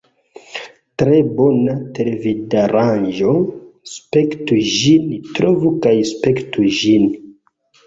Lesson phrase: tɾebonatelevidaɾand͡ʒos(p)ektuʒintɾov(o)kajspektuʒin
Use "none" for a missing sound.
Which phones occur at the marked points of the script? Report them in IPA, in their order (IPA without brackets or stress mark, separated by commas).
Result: p, u